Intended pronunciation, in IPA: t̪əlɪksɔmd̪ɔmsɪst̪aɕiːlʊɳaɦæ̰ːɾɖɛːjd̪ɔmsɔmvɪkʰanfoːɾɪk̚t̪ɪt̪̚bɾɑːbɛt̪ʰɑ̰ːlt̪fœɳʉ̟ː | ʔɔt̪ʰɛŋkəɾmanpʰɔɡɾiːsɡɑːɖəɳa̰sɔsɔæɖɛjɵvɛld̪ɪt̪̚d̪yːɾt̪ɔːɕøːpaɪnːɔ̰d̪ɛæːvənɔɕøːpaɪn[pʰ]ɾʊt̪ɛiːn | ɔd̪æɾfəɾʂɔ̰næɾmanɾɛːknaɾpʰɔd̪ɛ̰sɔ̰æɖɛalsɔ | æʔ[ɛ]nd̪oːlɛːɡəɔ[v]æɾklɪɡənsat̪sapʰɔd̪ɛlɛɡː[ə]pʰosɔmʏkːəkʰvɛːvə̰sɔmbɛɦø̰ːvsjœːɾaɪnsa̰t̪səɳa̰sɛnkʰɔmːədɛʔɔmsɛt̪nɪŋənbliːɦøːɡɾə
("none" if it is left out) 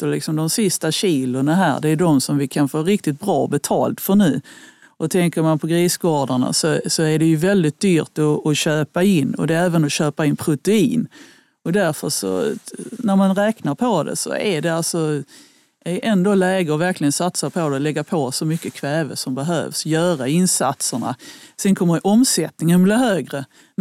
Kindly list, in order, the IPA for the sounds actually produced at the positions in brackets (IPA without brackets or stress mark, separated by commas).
pʰ, ɛ, v, a